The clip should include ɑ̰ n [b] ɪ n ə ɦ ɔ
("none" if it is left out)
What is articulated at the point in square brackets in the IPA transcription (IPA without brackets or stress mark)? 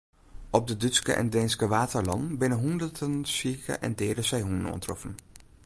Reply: b